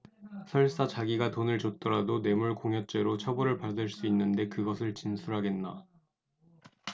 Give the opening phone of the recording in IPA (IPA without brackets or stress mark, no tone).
sʰ